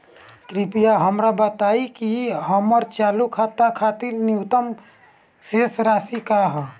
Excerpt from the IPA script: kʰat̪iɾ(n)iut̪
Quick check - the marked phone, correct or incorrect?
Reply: correct